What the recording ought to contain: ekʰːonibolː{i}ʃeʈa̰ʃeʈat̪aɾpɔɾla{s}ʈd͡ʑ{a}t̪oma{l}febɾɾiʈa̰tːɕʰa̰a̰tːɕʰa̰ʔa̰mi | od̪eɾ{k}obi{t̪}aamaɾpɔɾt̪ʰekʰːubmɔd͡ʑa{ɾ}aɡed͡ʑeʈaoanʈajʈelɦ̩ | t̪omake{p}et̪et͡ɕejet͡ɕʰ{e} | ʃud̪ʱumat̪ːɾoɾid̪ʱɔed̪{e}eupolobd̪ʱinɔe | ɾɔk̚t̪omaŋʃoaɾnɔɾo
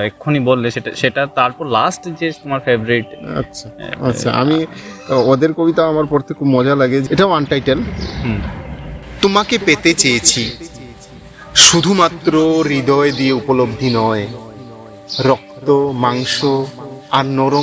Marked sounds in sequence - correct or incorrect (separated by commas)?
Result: incorrect, correct, incorrect, incorrect, correct, correct, incorrect, correct, incorrect, incorrect